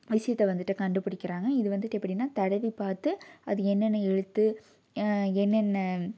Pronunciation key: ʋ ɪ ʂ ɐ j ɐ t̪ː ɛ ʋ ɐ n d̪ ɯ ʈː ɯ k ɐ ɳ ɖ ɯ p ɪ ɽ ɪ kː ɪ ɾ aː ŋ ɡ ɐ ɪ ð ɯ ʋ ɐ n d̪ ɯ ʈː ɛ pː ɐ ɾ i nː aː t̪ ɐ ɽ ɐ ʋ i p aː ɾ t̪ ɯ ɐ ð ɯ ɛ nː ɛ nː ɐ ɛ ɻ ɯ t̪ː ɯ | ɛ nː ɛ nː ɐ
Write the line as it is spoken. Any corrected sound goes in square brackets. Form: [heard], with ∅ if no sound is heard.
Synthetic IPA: ʋ ɪ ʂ ɐ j ɐ t̪ː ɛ ʋ ɐ n d̪ ɯ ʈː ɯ k ɐ ɳ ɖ ɯ p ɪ ɽ ɪ kː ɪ ɾ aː ŋ ɡ ɐ ɪ ð ɯ ʋ ɐ n d̪ ɯ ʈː ɛ pː ɐ [ɽ] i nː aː t̪ ɐ ɽ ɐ ʋ i p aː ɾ t̪ ɯ ɐ ð ɯ ɛ nː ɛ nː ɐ ɛ ɻ ɯ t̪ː ɯ | ɛ nː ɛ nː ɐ